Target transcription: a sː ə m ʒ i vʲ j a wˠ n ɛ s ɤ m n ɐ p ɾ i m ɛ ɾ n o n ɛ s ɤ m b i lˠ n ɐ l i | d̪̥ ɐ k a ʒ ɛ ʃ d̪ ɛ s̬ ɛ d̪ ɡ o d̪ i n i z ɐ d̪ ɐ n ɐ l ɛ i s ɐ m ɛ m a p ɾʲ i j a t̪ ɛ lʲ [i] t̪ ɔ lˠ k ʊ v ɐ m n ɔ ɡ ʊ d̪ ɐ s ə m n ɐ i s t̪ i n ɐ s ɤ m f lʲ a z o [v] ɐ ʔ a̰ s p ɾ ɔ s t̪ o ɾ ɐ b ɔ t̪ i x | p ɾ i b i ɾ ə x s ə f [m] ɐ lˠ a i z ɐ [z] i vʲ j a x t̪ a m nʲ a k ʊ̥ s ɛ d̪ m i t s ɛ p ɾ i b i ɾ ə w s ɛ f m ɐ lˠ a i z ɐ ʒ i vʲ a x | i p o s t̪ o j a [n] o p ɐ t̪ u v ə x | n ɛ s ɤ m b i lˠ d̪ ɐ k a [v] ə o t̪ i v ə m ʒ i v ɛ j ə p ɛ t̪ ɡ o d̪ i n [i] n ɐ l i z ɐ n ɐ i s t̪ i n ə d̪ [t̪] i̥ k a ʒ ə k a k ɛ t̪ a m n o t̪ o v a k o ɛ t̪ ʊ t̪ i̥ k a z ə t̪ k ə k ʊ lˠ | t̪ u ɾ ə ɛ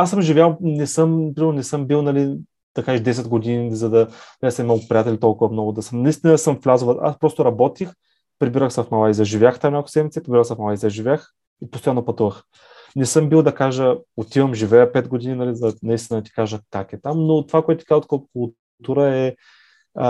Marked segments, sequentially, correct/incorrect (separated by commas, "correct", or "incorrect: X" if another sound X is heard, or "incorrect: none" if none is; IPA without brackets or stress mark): correct, correct, correct, incorrect: ʒ, incorrect: nː, incorrect: ʒ, correct, correct